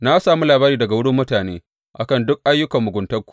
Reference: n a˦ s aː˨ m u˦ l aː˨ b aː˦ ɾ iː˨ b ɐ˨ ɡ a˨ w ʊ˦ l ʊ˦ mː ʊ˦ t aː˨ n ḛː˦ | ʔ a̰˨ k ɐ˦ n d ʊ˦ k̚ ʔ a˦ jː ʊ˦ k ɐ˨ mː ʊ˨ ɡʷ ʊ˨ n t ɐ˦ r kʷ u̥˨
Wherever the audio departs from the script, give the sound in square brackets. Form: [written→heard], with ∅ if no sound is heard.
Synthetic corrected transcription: n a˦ s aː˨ m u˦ l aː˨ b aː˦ ɾ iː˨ [b→d] ɐ˨ ɡ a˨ w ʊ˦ [l→ɽ] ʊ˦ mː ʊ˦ t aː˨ n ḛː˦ | ʔ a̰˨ k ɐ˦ n d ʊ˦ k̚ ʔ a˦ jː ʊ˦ k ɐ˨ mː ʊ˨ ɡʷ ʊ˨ n t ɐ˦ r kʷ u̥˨